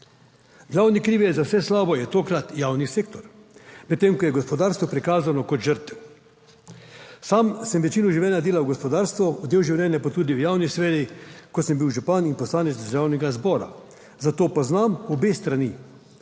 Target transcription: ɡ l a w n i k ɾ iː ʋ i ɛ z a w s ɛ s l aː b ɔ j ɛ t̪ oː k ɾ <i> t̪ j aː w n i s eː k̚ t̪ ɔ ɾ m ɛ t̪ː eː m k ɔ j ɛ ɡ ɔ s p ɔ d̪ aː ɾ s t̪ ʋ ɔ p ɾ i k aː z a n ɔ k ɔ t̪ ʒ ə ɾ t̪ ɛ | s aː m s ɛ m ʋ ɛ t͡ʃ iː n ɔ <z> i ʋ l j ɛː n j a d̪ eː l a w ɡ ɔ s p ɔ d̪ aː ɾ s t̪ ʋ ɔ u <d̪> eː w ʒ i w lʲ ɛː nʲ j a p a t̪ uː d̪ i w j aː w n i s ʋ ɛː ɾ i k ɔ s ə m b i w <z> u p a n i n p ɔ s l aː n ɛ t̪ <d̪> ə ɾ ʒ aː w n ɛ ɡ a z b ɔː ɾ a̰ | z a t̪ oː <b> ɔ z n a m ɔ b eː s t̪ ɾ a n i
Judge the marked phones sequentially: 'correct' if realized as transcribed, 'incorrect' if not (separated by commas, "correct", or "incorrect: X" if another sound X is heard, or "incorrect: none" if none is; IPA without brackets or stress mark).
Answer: incorrect: a, incorrect: ʒ, correct, incorrect: ʒ, correct, incorrect: p